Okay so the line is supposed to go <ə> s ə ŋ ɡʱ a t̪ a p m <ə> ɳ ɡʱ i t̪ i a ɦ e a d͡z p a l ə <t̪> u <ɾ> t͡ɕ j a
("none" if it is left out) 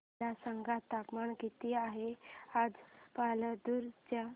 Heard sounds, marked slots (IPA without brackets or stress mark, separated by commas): a, a, d̪, ɾ